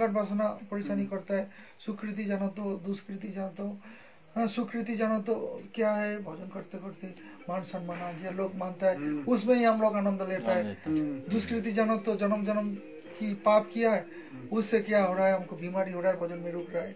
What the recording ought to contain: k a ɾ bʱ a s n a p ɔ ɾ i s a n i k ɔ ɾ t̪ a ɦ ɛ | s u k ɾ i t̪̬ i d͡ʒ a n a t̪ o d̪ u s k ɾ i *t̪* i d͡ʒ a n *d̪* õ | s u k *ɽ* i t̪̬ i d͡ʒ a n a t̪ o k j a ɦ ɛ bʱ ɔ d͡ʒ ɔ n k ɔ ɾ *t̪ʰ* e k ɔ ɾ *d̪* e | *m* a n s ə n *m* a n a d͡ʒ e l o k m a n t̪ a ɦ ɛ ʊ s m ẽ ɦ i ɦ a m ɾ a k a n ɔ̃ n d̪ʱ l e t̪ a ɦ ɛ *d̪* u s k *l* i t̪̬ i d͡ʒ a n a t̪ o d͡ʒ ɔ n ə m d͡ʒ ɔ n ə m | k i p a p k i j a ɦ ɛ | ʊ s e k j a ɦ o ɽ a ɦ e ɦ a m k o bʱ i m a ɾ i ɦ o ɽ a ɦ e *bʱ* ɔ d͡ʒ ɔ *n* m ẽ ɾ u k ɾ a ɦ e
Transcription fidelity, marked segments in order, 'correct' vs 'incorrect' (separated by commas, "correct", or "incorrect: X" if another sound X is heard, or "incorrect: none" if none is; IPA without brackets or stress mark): correct, incorrect: t̪, incorrect: ɾ, incorrect: t̪, incorrect: t̪, correct, correct, correct, incorrect: ɾ, correct, correct